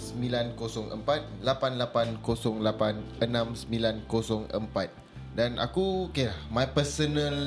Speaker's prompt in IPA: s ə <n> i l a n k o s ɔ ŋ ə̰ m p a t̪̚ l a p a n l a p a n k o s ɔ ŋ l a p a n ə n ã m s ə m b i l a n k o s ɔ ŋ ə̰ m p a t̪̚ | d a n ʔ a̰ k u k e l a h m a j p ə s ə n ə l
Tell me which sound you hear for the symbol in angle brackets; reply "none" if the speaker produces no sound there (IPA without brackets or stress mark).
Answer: m